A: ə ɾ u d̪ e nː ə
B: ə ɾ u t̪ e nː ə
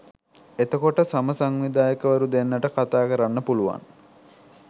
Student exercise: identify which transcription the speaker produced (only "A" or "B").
A